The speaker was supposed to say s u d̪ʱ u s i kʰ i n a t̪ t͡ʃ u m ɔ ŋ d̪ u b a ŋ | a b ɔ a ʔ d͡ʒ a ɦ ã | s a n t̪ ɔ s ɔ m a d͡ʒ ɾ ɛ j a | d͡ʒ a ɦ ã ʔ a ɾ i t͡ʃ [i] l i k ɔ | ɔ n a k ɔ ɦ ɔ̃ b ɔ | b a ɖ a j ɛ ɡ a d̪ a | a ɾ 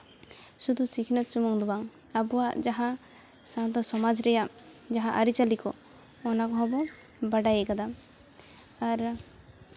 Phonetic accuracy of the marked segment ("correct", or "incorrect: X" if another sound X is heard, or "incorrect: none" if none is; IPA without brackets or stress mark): incorrect: a